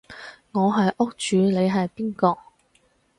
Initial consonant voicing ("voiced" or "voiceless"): voiced